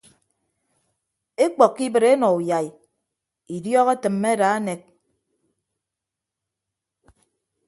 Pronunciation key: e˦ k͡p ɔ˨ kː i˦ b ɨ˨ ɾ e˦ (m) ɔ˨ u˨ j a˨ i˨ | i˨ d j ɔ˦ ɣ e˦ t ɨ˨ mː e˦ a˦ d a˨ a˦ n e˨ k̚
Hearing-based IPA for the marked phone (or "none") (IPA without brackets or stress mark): n